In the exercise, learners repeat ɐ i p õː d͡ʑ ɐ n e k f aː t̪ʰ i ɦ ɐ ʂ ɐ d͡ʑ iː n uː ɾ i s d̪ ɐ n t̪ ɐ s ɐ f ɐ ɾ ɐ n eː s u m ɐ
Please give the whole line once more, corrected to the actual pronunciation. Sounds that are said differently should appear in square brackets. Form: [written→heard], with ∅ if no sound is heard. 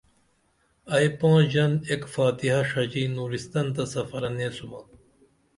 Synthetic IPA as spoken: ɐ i p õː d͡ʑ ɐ n e k f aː [t̪ʰ→t̪] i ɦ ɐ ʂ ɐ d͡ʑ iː n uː ɾ i s [d̪→t̪] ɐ n t̪ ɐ s ɐ f ɐ ɾ ɐ n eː s u m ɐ